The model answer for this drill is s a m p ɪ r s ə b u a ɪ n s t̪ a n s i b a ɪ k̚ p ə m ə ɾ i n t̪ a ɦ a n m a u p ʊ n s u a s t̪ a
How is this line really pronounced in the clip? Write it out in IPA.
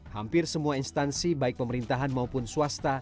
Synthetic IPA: h a m p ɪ r s ə m u a i n s t̪ a n s i b a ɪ k̚ p ə m ə ɾ i n t̪ a ɦ a n m a u p ʊ n s u a s t̪ a